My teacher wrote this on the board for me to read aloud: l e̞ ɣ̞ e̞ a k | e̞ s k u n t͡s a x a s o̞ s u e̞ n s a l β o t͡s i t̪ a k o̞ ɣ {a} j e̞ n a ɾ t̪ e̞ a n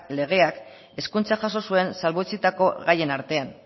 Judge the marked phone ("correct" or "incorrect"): correct